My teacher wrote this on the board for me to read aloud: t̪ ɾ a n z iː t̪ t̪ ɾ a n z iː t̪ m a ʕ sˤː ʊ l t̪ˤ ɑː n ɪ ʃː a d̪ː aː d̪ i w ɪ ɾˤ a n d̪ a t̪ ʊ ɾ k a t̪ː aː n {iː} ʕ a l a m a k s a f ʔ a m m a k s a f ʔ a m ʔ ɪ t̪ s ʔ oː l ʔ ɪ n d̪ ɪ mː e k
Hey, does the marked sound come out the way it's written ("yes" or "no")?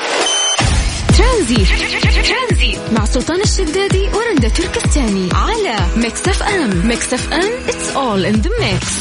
no